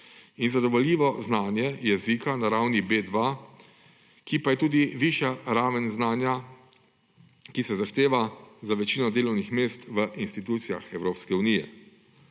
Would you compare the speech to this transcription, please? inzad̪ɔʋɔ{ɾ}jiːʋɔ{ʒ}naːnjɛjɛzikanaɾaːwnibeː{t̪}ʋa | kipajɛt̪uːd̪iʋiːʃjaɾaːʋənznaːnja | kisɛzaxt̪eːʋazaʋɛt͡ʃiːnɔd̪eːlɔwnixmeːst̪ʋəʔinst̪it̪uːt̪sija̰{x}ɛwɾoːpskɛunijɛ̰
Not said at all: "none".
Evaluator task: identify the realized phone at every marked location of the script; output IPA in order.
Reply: l, z, d̪, x

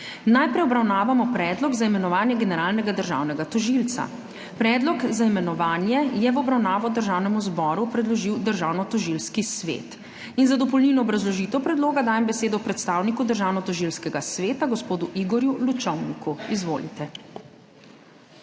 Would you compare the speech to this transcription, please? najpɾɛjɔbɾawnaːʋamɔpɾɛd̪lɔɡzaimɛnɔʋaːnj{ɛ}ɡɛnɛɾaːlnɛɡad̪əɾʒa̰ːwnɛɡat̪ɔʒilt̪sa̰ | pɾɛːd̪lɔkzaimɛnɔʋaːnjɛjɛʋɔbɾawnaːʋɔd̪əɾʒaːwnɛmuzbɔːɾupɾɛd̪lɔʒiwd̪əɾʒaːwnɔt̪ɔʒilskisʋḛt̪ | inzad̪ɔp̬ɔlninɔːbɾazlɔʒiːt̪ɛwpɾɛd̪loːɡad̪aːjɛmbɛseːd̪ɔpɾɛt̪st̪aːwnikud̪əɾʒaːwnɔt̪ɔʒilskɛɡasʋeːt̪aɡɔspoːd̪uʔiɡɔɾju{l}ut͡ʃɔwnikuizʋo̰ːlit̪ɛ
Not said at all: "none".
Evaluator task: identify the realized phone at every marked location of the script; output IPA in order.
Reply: ɛ, l

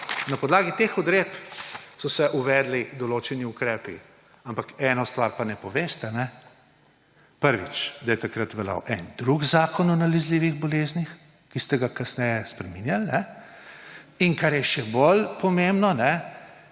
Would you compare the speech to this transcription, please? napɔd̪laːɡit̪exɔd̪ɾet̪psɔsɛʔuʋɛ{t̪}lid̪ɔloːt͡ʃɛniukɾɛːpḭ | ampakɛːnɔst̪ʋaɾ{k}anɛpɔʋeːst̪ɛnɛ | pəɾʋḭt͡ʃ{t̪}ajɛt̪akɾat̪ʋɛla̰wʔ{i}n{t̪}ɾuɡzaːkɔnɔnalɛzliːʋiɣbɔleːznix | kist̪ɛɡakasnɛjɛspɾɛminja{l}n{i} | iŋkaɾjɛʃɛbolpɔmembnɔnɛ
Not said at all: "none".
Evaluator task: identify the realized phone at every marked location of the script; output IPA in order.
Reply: d̪, p, d̪, ɛ, d̪, l, ɛ

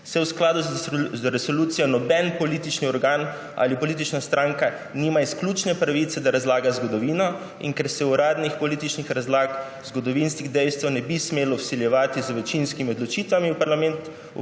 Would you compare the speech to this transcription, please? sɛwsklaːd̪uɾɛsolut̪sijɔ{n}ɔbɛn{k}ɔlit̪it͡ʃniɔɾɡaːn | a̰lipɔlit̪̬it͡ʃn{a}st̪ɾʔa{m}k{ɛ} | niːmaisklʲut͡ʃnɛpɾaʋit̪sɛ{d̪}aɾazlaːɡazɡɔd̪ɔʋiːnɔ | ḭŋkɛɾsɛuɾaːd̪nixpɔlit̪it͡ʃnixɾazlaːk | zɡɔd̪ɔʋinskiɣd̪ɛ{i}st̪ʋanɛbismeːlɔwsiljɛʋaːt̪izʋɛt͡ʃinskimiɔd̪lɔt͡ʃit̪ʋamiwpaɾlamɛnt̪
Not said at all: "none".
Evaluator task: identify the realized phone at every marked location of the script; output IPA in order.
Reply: n, p, a, ŋ, a, d̪, j

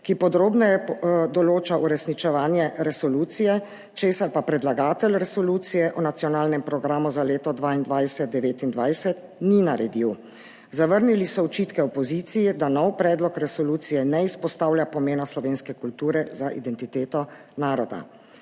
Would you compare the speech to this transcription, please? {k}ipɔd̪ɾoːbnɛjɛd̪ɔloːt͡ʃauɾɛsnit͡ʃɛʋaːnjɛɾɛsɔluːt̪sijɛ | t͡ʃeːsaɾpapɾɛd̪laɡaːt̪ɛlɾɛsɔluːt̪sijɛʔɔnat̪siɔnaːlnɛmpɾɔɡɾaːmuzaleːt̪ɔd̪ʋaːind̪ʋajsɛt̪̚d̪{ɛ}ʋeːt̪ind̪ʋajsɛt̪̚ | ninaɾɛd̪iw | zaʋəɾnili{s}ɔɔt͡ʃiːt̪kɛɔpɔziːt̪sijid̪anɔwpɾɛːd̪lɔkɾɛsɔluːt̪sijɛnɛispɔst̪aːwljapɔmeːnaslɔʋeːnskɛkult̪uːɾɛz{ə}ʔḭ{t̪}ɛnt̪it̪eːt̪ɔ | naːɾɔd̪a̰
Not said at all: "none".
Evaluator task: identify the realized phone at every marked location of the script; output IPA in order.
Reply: k, ɛ, s, a, d̪

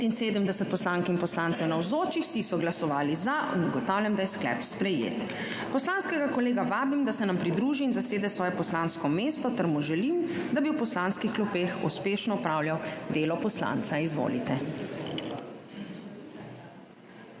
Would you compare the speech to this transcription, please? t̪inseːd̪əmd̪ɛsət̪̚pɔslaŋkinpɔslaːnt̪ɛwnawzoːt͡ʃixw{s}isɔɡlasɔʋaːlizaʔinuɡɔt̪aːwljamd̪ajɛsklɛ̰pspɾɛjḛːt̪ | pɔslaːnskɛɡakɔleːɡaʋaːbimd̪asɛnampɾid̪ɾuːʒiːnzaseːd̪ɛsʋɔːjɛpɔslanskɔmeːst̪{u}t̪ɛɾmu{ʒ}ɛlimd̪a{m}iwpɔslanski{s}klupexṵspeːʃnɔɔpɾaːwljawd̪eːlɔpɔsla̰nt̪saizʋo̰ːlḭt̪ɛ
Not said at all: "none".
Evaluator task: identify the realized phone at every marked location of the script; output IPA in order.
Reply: s, ɔ, ʒ, b, x

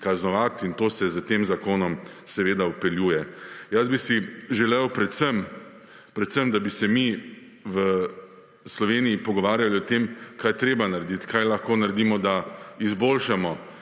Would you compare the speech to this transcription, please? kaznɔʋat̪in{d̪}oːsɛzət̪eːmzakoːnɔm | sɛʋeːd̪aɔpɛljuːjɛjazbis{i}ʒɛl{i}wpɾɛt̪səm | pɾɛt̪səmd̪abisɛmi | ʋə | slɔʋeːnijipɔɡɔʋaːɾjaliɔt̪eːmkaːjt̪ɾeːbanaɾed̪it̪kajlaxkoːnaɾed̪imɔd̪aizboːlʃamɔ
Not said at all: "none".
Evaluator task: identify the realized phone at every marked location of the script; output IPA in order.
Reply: t̪, i, ɛ

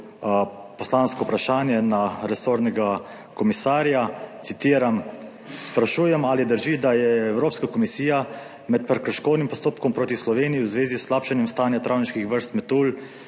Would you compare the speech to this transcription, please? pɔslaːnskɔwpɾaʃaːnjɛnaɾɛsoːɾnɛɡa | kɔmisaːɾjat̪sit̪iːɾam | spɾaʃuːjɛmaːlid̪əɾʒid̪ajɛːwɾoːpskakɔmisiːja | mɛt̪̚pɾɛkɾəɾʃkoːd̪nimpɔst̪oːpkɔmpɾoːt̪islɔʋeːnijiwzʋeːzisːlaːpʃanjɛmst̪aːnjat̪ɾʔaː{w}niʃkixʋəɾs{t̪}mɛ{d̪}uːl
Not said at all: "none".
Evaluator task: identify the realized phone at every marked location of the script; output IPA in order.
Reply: w, t̪, t̪

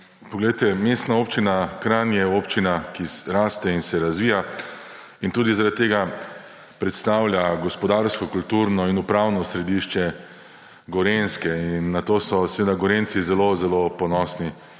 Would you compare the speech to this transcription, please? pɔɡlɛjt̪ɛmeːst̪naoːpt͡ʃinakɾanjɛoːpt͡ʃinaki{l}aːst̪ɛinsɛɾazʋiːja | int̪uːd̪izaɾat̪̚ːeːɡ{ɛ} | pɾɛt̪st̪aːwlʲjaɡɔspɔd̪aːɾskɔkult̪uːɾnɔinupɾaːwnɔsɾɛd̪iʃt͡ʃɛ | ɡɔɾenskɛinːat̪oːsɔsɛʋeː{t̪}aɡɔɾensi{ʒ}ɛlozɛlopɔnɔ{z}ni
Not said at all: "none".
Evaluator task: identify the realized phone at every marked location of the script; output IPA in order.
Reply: ɾ, a, d̪, z, s

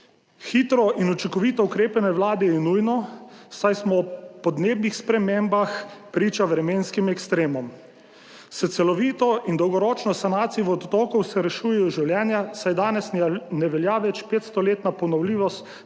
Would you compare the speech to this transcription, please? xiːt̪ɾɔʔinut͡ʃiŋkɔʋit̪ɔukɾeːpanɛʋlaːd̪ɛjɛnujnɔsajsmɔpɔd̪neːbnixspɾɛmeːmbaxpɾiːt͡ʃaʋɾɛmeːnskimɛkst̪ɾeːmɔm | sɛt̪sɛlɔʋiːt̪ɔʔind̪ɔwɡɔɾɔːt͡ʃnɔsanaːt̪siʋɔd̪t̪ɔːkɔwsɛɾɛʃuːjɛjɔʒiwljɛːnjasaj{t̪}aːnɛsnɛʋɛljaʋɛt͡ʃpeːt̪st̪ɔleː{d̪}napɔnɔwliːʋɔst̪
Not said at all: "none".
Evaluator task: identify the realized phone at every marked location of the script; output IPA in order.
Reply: d̪, t̪

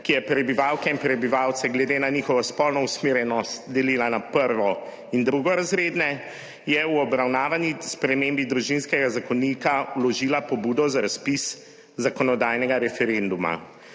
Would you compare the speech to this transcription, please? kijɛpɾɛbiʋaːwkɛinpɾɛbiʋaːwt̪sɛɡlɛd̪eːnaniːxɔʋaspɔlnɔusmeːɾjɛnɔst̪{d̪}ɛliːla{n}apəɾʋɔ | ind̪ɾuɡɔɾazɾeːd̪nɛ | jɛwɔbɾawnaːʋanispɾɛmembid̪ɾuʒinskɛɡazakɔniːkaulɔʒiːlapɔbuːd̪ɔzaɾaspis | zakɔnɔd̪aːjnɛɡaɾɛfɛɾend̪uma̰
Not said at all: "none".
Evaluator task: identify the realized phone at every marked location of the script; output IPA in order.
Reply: d̪, n

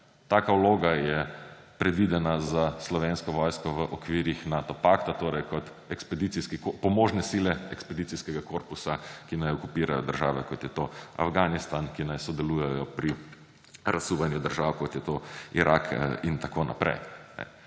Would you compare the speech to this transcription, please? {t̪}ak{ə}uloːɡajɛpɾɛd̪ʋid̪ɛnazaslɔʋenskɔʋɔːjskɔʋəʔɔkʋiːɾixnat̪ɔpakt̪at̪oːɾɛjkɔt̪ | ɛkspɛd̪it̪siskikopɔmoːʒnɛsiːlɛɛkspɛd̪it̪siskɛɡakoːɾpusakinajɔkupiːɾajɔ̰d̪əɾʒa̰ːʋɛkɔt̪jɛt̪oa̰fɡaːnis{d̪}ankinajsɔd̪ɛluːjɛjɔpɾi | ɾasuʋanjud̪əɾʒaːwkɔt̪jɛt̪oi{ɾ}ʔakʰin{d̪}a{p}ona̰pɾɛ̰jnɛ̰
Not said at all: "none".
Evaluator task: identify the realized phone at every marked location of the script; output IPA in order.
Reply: t̪, a, t̪, ɾ, t̪, k

